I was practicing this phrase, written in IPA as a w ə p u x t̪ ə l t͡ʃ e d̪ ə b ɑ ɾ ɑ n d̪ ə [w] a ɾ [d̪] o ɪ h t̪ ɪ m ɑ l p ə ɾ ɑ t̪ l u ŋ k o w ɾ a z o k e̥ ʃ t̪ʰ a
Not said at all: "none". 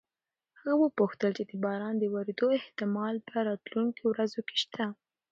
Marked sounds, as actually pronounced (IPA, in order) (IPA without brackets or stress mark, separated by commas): w, d̪